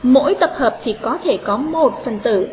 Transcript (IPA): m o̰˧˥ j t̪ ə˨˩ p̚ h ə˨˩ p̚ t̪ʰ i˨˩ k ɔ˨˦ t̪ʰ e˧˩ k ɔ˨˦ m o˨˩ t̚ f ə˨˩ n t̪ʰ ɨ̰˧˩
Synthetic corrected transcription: m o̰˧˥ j t̪ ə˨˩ p̚ h əː˨˩ p̚ t̪ʰ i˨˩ k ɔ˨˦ t̪ʰ e˧˩ k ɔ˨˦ m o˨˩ t̚ f ə˨˩ n t̪ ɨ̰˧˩